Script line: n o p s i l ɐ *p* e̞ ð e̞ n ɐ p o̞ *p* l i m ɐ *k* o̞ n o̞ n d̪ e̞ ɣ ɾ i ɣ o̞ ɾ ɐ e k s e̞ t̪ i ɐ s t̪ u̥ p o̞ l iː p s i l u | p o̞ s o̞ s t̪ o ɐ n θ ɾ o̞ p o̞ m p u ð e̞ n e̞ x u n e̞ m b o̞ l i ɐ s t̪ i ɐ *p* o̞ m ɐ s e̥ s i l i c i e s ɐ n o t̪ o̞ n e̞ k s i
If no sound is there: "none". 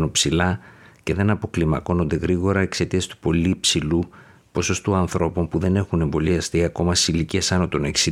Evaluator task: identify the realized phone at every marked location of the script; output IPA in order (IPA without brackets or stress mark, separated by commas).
c, k, k, k